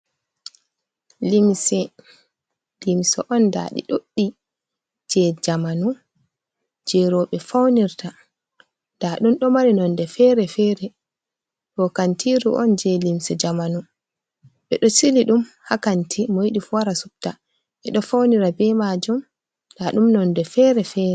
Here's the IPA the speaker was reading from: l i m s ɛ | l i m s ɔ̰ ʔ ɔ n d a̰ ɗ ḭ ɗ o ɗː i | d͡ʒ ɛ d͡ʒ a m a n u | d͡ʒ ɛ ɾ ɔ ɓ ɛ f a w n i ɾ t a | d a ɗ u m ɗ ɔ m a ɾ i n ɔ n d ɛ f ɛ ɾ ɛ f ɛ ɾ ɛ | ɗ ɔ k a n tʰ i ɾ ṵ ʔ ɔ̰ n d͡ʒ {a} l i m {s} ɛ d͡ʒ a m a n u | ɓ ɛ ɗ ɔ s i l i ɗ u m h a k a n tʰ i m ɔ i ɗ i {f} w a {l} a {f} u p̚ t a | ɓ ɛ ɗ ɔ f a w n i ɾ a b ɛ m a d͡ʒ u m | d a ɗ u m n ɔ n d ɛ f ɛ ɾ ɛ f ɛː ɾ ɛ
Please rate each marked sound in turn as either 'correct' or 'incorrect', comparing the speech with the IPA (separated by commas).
incorrect, correct, correct, incorrect, incorrect